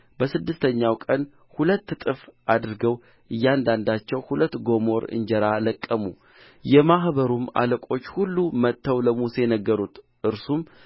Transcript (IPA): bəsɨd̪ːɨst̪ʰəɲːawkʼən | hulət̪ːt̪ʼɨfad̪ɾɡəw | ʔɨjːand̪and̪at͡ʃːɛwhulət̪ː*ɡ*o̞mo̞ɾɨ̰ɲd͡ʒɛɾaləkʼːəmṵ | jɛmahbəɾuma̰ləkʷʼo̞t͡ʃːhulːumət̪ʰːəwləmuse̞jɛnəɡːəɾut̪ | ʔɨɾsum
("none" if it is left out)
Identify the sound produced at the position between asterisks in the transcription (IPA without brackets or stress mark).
ɡ